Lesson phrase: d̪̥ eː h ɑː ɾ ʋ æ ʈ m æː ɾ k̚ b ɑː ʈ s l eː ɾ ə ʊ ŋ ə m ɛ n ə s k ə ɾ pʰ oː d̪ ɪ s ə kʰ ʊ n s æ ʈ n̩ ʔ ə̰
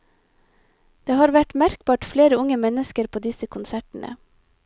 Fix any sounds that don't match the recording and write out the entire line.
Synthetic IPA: d̪̥ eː h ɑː ɾ ʋ æ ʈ m æ ɾ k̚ b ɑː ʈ f l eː ɾ ə ʊ ŋ ə m ɛ n ə s k ə ɾ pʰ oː d̪ ɪ s ə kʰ ʊ n s æ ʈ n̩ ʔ ə̰